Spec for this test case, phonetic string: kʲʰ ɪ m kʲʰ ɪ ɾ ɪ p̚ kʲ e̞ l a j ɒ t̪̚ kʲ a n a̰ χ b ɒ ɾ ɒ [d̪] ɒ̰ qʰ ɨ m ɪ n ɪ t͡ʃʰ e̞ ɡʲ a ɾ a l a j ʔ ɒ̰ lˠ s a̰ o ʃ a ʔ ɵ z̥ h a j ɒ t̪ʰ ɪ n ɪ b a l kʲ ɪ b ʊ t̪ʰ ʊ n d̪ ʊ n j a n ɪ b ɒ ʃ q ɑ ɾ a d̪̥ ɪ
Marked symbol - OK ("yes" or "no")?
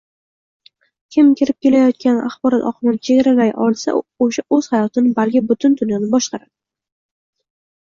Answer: no